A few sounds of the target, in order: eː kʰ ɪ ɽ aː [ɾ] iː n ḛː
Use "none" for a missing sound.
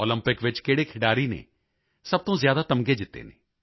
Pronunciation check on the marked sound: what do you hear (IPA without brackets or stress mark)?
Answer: ɾ